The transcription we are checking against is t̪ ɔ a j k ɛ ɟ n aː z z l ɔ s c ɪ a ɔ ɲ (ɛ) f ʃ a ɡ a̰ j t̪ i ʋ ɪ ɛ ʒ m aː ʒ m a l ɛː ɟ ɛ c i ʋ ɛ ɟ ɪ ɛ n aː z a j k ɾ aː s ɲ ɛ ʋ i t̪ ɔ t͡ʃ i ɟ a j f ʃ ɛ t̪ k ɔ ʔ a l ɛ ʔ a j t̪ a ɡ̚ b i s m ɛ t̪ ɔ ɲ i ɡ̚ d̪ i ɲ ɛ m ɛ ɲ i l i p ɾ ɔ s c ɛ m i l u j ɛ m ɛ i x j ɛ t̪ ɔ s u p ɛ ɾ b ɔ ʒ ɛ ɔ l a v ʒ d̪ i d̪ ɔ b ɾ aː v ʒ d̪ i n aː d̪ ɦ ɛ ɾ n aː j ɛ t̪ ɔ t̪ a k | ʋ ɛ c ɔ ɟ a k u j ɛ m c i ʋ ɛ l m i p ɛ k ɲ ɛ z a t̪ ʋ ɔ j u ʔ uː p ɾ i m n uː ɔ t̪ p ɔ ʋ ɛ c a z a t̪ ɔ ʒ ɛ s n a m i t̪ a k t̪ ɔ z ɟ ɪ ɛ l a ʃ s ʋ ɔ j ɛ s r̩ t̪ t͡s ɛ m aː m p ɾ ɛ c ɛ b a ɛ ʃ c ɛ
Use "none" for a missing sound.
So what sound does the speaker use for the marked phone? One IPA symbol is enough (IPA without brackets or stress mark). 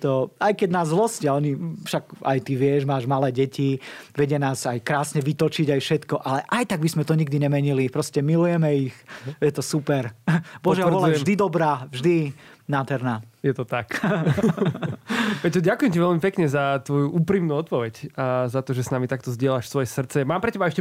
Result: i